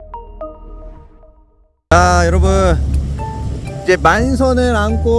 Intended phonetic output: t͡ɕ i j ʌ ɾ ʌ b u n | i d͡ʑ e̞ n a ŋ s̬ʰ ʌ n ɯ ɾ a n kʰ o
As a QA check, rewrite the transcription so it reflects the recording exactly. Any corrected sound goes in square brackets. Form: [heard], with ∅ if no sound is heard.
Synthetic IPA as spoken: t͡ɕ [a] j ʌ ɾ ʌ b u n | i d͡ʑ e̞ [m] a [n] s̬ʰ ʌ n ɯ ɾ a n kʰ o